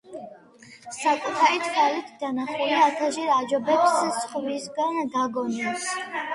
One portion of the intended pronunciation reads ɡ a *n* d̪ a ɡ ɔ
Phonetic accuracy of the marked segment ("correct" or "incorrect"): correct